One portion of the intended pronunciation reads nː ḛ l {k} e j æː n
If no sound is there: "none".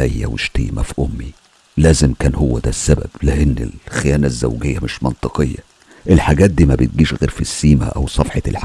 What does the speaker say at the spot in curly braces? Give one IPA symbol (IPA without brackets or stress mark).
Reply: x